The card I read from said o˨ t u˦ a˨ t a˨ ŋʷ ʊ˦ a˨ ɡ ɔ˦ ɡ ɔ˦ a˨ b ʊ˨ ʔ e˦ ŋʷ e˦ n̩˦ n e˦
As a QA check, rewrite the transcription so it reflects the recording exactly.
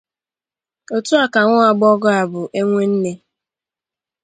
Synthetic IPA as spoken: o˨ t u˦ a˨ k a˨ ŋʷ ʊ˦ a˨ ɡ͡b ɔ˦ ɡ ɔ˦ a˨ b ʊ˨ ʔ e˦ ŋʷ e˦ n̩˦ n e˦